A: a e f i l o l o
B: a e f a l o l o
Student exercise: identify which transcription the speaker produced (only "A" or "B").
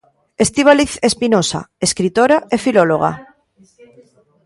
A